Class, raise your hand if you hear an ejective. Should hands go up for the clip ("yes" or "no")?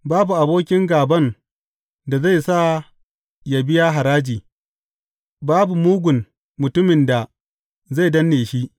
no